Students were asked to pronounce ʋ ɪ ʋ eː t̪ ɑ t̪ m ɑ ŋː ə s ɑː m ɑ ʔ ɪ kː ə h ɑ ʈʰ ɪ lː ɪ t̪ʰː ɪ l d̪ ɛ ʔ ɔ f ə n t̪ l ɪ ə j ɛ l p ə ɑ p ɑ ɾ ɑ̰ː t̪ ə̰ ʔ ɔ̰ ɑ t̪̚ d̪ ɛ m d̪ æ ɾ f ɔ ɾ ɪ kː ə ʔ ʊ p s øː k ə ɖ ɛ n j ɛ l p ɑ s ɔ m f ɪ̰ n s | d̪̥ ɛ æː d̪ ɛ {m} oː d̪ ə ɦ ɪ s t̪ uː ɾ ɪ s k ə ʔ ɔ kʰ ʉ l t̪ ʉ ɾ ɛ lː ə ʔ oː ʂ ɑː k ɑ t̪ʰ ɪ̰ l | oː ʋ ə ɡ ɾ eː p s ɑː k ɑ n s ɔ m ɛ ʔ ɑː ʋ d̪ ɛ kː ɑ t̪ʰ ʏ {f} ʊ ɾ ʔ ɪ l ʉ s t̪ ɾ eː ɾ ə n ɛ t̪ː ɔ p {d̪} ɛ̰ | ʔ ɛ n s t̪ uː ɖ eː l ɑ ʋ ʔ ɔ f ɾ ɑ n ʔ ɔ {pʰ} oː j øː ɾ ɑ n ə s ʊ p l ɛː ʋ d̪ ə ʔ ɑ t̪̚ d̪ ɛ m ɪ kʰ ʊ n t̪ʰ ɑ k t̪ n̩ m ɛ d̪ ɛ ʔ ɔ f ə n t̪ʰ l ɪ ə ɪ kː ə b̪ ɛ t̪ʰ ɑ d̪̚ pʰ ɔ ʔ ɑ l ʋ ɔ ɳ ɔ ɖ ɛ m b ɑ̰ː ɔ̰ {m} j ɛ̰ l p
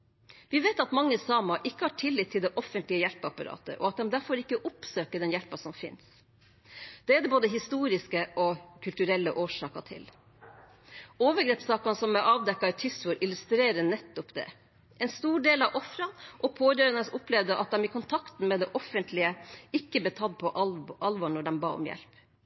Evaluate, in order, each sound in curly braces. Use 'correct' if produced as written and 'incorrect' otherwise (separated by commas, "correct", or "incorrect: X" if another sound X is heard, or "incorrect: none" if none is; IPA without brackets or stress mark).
incorrect: b, incorrect: s, correct, correct, correct